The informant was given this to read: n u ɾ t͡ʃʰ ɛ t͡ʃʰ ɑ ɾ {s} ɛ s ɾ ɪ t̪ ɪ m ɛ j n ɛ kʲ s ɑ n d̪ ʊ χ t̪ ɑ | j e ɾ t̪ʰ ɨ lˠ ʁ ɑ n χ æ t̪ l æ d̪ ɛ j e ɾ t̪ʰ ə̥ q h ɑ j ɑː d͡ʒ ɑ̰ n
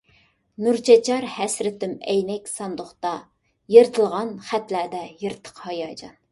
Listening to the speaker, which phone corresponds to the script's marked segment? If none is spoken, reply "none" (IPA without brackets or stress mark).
h